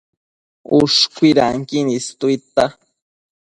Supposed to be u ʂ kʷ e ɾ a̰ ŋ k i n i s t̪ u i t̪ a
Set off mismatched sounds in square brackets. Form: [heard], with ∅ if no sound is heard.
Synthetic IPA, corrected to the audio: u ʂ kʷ [i] ɾ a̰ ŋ k i n i s t̪ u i t̪ a